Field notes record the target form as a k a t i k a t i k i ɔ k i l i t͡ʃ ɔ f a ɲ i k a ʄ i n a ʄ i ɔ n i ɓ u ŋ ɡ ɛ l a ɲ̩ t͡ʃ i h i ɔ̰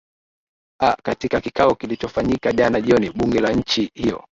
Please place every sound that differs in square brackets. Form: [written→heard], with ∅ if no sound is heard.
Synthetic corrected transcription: a k a t i k a [t→k] i k [i→a] ɔ k i l i t͡ʃ ɔ f a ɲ i k a ʄ [i→a] n a ʄ i ɔ n i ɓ u ŋ ɡ ɛ l a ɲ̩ t͡ʃ i h i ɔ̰